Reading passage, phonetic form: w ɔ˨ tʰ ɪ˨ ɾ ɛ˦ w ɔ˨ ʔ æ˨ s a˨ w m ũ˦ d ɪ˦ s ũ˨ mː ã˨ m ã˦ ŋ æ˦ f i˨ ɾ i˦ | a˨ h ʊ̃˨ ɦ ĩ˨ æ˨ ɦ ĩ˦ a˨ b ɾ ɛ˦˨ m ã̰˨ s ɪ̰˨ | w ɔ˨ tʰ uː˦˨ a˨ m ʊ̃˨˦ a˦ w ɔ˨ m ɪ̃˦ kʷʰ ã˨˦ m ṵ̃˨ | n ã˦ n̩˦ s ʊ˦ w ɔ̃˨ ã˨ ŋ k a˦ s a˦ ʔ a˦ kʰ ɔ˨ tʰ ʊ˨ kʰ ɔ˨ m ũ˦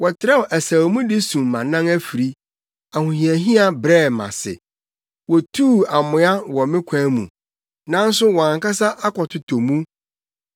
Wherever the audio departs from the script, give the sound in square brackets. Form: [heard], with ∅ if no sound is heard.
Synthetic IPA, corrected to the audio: w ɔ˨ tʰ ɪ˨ ɾ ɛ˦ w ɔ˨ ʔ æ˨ s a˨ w m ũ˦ d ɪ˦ s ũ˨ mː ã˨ [n] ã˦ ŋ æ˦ f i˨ ɾ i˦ | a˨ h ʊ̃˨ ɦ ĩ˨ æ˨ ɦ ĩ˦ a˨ b ɾ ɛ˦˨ m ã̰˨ s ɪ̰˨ | w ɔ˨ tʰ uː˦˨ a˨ m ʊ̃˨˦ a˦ w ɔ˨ m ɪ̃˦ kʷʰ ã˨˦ m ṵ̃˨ | n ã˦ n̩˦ s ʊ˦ w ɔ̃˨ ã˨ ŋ k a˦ s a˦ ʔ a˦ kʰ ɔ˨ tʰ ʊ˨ [tʰ] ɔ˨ m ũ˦